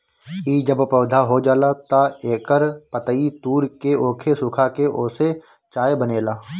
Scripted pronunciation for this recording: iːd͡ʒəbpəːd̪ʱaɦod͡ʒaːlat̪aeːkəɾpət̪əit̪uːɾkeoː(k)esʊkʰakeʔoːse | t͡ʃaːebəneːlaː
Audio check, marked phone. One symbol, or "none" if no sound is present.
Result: kʰ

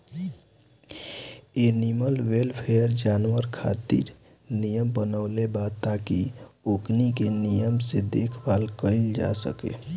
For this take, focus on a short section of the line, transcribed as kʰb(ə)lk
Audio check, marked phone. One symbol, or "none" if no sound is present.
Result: a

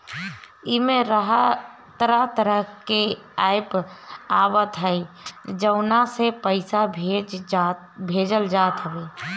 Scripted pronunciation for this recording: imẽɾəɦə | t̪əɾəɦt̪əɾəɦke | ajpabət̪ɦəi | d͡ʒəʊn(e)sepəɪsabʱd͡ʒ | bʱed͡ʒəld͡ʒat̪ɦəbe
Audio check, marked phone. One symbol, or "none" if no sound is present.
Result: a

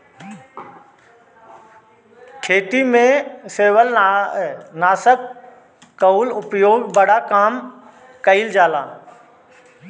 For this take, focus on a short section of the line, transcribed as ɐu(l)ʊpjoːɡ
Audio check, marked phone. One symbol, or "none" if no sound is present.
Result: l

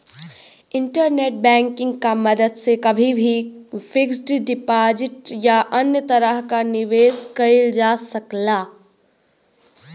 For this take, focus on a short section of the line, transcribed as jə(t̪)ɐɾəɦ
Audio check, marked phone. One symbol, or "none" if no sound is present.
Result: t̪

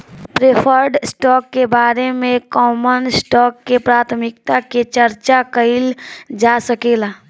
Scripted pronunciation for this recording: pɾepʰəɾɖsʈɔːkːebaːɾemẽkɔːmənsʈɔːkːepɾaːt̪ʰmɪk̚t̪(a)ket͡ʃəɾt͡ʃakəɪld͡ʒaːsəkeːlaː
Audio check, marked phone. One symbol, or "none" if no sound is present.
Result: a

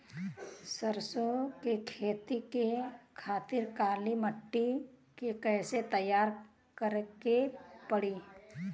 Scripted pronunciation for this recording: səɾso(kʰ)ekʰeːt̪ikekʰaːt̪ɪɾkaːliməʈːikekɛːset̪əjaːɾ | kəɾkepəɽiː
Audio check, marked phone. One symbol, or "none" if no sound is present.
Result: k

